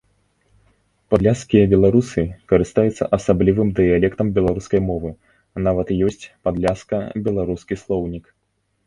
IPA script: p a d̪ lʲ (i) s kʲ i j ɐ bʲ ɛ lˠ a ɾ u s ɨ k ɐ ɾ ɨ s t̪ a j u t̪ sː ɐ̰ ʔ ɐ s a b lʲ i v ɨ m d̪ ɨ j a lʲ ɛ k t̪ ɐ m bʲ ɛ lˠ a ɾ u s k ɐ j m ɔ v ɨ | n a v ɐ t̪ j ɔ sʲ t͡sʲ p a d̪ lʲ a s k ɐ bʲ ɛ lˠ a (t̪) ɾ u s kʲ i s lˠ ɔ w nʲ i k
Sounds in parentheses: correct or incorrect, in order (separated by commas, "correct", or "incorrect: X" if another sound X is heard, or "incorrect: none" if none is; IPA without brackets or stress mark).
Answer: incorrect: a, incorrect: none